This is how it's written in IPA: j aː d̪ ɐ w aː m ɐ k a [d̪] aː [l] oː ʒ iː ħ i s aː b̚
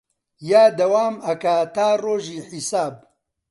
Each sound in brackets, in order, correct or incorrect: incorrect: t̪, incorrect: r

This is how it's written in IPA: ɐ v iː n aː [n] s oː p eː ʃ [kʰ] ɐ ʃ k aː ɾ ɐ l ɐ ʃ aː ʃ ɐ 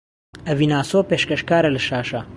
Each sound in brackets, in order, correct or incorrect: incorrect: none, incorrect: k

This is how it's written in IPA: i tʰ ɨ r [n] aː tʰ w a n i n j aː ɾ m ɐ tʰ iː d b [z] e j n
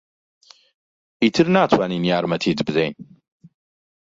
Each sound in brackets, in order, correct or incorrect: correct, correct

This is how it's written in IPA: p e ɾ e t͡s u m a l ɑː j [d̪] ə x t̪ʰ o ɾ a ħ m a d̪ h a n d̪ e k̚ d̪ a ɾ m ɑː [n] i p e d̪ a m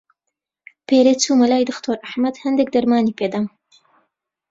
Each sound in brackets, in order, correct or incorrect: correct, correct

